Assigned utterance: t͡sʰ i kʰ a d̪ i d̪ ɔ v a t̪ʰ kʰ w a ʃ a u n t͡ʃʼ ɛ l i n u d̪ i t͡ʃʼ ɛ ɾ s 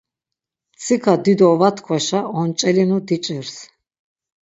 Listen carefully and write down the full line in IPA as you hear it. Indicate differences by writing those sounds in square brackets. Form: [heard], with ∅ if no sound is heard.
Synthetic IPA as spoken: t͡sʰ i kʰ a d̪ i d̪ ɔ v a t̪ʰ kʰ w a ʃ a [ɔ] n t͡ʃʼ ɛ l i n u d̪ i t͡ʃʼ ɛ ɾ s